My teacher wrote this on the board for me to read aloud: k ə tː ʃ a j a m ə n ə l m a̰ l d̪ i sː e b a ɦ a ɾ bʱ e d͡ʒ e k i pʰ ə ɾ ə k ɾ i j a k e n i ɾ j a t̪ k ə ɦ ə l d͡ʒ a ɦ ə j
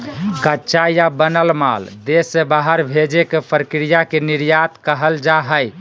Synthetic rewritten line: k ə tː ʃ a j a b ə n ə l m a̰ l d̪ e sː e b a ɦ ə ɾ bʱ e d͡ʒ e k e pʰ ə ɾ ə k ɾ i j a k e n i ɾ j a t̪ k ə ɦ ə l d͡ʒ a ɦ ə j

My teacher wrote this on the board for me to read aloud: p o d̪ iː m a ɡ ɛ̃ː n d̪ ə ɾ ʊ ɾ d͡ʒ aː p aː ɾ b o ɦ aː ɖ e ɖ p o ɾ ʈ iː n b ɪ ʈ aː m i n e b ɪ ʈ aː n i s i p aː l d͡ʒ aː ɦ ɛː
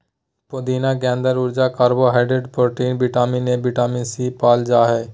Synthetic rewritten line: p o d̪ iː n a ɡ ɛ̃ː n d̪ ə ɾ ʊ ɾ d͡ʒ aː k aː ɾ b o ɦ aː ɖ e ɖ p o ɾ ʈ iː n b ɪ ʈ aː m i n e b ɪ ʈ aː m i s i p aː l d͡ʒ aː ɦ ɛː

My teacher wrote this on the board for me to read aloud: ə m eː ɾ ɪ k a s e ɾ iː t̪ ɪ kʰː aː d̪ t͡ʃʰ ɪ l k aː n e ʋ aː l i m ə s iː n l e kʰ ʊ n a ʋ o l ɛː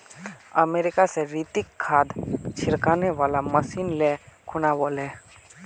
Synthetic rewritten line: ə m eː ɾ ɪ k a s e ɾ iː t̪ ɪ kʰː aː d̪ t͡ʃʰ ɪ ɾ k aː n e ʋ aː l a m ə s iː n l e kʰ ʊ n a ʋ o l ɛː

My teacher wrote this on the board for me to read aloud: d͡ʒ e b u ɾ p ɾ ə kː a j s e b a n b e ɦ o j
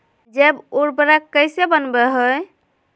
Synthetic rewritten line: d͡ʒ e b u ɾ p ɾ a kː ə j s e b ə n b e ɦ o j

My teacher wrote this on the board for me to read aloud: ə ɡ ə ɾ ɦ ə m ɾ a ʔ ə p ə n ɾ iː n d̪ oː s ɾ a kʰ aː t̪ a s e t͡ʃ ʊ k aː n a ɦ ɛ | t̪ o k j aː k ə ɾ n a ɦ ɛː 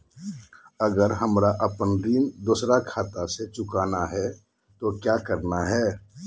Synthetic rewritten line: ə ɡ ə ɾ ɦ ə m ɾ a ʔ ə p ə n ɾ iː n d̪ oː s ɾ a kʰ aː t̪ a s e t͡ʃ ʊ k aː n a ɦ ɛ | t̪ o k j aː k ə ɾ n a ɦ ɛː

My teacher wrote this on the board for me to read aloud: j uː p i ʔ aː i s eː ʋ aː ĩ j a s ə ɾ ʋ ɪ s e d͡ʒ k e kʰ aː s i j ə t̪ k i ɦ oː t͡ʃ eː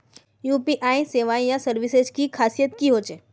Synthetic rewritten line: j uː p i ʔ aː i s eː ʋ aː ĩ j a s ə ɾ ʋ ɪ s e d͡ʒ k i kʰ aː s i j ə t̪ k i ɦ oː t͡ʃ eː

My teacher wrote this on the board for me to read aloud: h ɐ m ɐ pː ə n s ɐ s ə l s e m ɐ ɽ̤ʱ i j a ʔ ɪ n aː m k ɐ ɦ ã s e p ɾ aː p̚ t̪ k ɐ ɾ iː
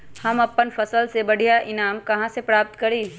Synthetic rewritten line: h ɐ m ɐ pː ə n f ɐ s ə l s e b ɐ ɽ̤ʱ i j a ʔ ɪ n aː m k ɐ ɦ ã s e p ɾ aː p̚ t̪ k ɐ ɾ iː

